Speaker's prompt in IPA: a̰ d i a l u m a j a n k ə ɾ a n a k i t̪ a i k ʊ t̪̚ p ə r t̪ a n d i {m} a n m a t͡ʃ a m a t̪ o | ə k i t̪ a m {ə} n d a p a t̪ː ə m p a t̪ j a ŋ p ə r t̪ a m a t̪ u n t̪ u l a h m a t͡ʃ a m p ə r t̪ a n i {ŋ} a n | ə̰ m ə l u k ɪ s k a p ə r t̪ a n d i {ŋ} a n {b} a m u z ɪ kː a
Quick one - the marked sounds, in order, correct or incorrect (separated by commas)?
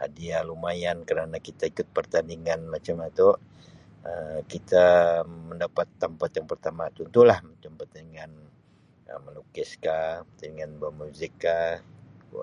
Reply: incorrect, correct, correct, correct, correct